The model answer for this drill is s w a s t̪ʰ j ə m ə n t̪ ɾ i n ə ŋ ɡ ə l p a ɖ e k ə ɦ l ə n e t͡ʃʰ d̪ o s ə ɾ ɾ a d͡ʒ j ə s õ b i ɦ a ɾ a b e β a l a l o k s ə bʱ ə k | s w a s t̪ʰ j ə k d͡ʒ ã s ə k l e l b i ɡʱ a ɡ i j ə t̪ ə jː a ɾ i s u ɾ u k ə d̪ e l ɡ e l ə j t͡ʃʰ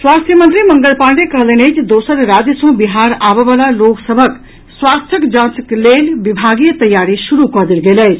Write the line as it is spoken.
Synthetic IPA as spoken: s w a s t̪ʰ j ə m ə n t̪ ɾ i m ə ŋ ɡ ə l p a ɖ e k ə ɦ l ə n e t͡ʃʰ d̪ o s ə ɾ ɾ a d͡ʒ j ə s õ b i ɦ a ɾ a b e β a l a l o k s ə bʱ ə k | s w a s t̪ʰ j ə k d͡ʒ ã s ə k l e l b i bʱ a ɡ i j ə t̪ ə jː a ɾ i s u ɾ u k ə d̪ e l ɡ e l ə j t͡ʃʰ